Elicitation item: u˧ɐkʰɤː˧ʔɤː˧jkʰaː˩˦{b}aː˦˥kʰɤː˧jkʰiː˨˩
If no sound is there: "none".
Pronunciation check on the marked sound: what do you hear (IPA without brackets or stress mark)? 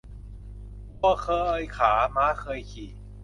m